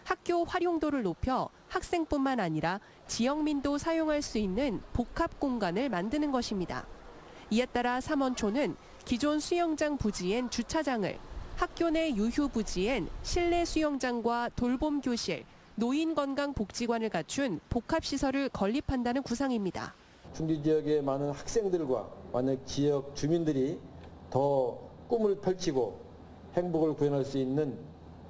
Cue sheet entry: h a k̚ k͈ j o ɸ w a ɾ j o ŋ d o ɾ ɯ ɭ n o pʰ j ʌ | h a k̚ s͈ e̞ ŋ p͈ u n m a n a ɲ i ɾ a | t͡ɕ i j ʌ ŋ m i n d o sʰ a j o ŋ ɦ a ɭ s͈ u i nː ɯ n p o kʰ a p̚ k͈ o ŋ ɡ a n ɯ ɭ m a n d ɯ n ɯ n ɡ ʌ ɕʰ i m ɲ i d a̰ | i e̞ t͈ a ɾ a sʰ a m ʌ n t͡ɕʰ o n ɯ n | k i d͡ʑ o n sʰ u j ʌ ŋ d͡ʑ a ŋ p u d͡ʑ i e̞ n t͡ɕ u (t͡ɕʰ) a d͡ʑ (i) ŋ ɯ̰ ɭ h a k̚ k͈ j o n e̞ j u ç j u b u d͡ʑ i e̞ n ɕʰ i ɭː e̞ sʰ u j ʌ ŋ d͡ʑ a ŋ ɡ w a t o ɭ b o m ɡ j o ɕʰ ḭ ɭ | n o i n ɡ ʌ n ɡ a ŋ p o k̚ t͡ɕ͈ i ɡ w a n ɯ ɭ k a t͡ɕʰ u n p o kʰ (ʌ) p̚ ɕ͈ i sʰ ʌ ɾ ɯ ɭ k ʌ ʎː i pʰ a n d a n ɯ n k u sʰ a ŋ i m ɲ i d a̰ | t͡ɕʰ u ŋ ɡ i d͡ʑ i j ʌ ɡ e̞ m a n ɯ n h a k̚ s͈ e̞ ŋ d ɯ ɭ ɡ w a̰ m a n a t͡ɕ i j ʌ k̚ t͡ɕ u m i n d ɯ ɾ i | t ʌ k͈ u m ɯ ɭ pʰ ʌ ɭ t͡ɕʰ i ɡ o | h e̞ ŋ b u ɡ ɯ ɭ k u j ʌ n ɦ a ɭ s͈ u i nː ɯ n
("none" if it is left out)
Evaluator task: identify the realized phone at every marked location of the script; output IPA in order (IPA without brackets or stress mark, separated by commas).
t͡ɕʰ, a, a